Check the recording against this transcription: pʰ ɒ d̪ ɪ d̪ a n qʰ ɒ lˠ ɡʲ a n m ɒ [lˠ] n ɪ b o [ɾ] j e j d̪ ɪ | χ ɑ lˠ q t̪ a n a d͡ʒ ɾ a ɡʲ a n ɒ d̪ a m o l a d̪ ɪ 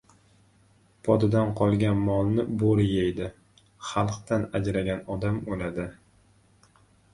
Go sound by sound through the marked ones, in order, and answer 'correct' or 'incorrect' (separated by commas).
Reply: correct, correct